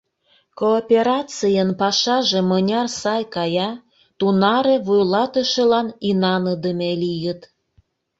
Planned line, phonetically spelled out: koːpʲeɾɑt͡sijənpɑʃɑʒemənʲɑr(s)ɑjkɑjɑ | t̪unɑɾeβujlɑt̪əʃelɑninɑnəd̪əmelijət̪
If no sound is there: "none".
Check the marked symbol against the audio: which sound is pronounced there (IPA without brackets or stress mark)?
s